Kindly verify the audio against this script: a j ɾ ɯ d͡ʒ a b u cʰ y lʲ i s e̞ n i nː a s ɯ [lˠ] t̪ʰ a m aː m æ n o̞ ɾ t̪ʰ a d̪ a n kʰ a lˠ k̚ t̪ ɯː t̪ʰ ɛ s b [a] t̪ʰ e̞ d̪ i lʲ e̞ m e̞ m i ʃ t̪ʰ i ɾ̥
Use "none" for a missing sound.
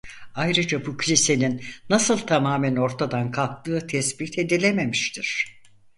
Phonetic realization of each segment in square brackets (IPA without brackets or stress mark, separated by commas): lˠ, i